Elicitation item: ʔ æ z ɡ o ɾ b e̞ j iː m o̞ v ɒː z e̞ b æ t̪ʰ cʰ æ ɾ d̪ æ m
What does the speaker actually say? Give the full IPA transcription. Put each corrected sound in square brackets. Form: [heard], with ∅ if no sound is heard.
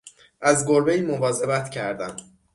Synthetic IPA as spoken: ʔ æ z ɡ o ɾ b e̞ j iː m o̞ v ɒː z e̞ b æ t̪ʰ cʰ æ ɾ d̪ æ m